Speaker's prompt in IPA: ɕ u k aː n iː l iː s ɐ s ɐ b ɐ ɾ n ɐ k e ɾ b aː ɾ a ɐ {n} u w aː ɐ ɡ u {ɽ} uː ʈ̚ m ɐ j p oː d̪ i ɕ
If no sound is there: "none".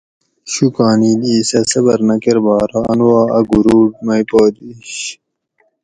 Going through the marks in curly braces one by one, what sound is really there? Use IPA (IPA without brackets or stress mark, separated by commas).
n, ɾ